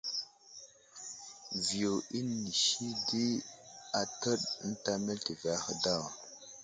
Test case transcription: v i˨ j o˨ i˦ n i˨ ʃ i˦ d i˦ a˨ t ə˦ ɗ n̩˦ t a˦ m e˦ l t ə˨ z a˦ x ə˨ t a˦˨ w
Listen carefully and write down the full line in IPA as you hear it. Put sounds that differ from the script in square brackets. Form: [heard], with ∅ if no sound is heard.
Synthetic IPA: v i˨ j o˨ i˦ n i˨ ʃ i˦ d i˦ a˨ t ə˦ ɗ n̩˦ t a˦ m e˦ l t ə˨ [v] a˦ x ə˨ [d] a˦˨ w